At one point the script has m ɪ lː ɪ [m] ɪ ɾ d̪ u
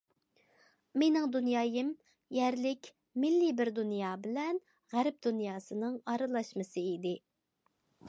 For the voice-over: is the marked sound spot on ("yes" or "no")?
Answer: no